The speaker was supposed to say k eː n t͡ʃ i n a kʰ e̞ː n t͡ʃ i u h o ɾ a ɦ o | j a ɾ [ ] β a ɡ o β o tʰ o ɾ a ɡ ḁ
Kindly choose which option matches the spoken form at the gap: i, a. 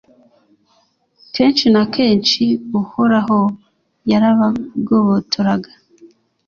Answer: a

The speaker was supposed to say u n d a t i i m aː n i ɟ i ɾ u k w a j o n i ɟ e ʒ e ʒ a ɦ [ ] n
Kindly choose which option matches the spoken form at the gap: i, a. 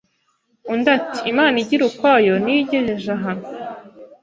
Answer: a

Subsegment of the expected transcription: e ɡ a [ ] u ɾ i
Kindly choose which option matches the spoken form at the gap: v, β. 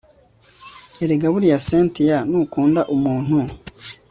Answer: β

